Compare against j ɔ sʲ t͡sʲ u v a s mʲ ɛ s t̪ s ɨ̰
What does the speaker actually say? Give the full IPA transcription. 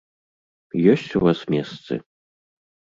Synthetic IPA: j ɔ sʲ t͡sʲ u v a s mʲ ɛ s t̪ s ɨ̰